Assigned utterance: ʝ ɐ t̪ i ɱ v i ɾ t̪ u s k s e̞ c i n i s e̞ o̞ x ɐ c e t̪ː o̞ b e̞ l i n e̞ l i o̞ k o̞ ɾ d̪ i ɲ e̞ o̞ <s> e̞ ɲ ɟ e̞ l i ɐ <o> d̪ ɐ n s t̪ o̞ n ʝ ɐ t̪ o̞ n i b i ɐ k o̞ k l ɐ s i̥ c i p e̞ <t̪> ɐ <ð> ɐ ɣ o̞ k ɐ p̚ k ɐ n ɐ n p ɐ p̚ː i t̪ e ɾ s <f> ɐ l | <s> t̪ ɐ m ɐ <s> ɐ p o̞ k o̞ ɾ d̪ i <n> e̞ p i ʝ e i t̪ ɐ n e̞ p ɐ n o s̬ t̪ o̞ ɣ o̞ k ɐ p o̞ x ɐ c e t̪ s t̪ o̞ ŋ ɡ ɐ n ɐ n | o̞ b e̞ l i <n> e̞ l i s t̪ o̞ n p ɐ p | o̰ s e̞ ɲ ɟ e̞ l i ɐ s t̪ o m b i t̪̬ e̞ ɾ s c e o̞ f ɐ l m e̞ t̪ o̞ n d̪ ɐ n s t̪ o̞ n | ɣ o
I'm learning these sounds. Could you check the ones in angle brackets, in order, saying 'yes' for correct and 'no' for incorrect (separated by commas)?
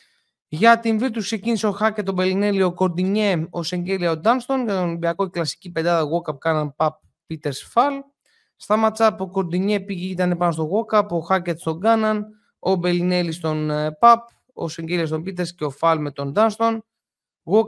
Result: yes, yes, no, yes, yes, yes, no, no, yes